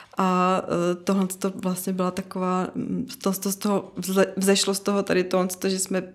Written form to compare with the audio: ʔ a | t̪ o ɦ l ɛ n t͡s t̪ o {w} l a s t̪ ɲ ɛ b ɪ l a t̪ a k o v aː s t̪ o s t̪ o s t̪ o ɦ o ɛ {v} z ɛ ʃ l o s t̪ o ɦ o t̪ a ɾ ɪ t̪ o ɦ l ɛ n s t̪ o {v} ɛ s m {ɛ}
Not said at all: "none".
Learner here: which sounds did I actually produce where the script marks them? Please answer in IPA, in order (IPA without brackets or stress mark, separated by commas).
v, v, ʒ, ɛ